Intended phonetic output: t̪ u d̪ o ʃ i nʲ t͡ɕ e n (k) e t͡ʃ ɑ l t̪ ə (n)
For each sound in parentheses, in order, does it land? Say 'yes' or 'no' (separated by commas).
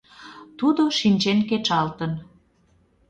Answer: yes, yes